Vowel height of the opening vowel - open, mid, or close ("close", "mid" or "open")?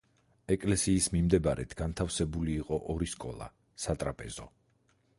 mid